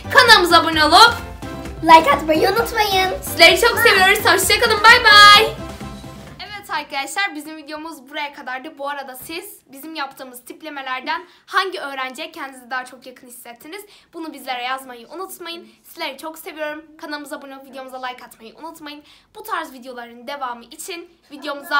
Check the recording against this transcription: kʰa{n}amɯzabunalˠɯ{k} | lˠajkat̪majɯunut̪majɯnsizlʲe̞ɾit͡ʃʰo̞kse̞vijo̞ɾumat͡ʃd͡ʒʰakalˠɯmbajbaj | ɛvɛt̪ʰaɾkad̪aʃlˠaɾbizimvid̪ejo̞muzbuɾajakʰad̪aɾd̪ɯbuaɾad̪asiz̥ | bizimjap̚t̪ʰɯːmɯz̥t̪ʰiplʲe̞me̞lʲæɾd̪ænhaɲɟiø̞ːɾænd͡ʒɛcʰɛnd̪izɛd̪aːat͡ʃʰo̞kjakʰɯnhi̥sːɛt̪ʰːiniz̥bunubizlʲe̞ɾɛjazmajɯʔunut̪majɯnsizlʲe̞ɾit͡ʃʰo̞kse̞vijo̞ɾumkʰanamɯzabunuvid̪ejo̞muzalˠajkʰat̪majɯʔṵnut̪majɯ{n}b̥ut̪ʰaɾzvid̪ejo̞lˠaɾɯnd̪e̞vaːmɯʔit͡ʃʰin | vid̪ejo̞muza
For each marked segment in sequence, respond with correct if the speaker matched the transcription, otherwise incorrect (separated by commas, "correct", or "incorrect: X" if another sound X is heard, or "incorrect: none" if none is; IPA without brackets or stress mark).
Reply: correct, incorrect: p, correct